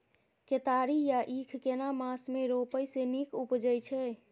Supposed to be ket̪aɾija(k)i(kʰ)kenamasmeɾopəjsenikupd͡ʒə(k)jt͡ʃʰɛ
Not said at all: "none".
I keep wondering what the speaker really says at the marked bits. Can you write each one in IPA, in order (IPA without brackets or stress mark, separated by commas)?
ʔ, kʰ, none